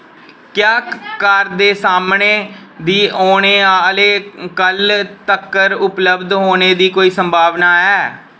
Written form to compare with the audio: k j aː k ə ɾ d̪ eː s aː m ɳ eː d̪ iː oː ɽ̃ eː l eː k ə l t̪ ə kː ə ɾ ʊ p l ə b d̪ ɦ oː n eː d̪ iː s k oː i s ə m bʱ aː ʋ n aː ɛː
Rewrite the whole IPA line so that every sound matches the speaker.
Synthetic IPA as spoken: k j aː k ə ɾ d̪ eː s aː m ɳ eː d̪ iː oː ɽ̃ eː l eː k ə l t̪ ə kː ə ɾ ʊ p l ə b d̪ ɦ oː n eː d̪ iː k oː iː s ə m bʱ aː ʋ n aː ɛː